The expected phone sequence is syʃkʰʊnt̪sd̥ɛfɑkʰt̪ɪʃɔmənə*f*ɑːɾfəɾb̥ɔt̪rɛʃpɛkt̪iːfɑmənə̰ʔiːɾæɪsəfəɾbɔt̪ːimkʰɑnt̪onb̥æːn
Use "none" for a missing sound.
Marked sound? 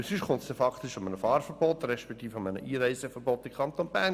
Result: f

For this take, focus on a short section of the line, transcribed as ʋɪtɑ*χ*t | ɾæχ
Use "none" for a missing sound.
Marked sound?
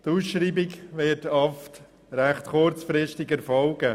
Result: f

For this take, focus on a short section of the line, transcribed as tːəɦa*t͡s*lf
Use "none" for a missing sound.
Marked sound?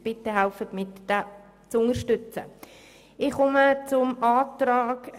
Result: none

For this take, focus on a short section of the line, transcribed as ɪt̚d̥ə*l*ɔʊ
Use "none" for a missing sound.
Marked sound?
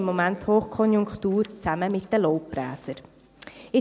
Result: l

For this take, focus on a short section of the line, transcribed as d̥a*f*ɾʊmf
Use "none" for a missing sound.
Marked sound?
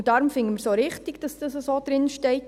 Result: none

